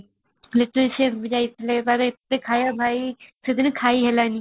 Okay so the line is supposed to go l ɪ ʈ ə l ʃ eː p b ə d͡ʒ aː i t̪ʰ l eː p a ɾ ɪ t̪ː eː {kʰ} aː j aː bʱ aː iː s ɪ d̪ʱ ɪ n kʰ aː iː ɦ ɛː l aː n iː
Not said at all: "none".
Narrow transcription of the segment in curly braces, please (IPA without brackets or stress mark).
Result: kʰ